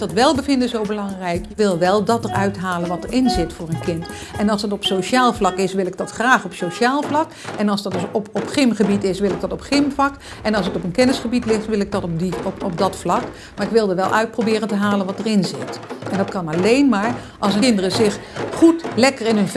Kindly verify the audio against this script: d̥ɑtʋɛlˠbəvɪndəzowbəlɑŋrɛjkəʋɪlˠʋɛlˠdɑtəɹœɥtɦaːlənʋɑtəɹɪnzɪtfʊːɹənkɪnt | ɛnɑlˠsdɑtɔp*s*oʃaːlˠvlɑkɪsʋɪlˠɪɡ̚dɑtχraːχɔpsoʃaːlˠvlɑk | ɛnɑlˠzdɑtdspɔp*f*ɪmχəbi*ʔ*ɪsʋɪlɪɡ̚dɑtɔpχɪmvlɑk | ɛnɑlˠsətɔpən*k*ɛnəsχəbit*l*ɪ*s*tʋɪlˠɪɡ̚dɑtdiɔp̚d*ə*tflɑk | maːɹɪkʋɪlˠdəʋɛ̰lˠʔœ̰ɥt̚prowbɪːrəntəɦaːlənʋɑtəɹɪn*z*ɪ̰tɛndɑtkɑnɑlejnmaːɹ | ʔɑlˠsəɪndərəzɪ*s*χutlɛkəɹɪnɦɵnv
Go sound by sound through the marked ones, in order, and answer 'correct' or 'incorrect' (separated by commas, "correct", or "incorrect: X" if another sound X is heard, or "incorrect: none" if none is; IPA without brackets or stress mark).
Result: correct, incorrect: χ, incorrect: t, correct, correct, incorrect: χ, incorrect: ɑ, correct, incorrect: χ